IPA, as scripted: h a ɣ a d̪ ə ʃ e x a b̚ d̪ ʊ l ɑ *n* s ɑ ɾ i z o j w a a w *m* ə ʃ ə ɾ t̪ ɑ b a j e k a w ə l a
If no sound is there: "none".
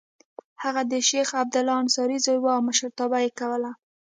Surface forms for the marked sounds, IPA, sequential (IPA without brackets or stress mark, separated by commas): n, m